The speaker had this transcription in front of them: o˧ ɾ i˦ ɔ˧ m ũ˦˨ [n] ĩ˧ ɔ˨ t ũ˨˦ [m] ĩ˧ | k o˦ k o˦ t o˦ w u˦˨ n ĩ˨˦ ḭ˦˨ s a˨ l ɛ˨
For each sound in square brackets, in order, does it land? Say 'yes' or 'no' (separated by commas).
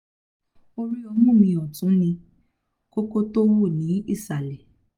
no, no